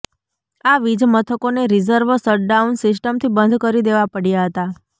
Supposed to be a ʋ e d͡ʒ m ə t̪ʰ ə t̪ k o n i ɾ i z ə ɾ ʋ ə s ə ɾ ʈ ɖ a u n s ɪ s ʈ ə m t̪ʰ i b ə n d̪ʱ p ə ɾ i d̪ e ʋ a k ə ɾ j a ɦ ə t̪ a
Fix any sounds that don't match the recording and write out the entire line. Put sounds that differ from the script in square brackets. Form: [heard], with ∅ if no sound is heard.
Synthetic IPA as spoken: a ʋ [i] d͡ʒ m ə t̪ʰ ə [∅] k o n [e] ɾ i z ə ɾ ʋ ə s ə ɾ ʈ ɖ a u n s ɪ s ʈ ə m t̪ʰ i b ə n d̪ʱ [k] ə ɾ i d̪ e ʋ a [p] ə [ɽ] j a ɦ ə t̪ a